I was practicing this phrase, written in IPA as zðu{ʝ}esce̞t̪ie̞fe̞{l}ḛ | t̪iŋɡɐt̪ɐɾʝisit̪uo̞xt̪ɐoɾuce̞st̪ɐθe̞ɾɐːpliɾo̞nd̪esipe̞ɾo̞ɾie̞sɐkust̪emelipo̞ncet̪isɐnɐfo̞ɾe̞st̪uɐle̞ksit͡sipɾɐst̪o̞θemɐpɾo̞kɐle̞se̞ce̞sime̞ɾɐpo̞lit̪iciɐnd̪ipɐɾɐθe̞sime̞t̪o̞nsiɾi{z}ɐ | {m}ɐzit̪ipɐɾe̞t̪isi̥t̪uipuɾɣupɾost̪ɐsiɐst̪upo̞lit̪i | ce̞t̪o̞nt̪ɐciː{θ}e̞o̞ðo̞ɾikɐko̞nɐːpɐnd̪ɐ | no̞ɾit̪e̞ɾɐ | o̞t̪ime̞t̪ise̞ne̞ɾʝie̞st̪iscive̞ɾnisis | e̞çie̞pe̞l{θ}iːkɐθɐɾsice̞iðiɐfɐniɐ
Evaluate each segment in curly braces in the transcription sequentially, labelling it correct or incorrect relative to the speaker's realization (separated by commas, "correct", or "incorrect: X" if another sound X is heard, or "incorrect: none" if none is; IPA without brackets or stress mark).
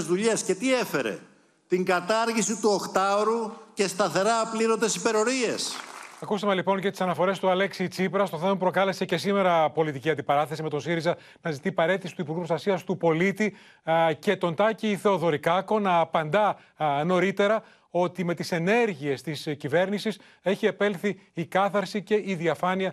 incorrect: ʎ, incorrect: ɾ, correct, incorrect: n, correct, correct